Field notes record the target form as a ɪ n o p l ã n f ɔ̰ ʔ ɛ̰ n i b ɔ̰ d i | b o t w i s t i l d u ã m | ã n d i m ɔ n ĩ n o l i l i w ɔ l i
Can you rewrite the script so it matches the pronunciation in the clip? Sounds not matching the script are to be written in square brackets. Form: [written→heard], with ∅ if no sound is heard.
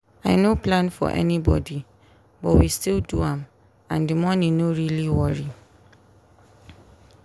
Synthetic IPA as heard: a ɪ n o p l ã n f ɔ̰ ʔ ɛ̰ n i b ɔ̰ d i | b [o→ɔ] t w i s t i l d u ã m | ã n d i m ɔ n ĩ n o [l→ɹ] i l i w ɔ [l→ɹ] i